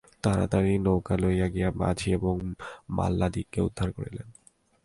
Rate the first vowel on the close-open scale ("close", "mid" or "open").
open